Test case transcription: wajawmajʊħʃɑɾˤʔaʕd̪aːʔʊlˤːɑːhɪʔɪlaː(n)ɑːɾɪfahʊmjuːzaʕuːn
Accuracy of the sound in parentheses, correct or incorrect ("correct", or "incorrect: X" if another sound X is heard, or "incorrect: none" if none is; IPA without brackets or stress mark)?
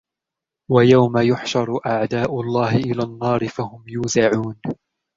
incorrect: nː